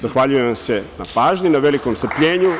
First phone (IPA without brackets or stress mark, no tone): z